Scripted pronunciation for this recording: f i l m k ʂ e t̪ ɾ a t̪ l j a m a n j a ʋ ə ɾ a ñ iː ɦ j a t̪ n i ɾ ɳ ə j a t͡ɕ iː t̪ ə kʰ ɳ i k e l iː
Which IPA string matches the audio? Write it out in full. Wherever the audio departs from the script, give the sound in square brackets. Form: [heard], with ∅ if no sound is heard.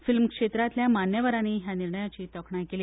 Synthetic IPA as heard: f i l m k ʂ e t̪ ɾ a t̪ l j a m a n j [ə] ʋ ə ɾ a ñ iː ɦ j a [∅] n i ɾ ɳ ə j a t͡ɕ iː t̪ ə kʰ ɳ [a] k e l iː